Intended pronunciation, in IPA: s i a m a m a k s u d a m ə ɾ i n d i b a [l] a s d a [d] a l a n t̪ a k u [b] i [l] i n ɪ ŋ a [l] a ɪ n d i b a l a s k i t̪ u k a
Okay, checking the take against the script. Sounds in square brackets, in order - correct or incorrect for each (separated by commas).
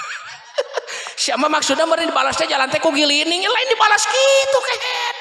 correct, incorrect, incorrect, correct, correct